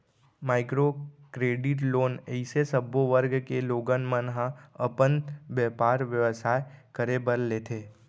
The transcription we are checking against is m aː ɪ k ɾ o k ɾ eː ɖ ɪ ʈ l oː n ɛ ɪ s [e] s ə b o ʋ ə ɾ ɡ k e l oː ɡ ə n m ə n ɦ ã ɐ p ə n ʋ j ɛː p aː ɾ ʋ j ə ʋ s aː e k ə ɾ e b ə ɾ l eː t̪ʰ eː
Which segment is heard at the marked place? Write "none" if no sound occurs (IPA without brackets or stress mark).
e